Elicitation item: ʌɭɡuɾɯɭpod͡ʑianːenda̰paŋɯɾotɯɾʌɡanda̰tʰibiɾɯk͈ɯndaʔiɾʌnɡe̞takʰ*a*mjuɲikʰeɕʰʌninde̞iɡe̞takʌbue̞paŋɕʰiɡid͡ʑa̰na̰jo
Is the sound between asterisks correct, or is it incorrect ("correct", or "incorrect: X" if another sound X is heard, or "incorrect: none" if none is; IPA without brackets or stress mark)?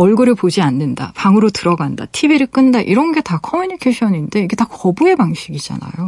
incorrect: ʌ